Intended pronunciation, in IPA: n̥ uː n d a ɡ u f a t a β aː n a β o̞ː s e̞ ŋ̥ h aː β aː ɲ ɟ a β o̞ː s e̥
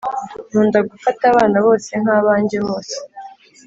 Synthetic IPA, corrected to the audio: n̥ uː n d a ɡ u f a t a β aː n a β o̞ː s e̞ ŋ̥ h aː β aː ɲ ɟ e β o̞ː s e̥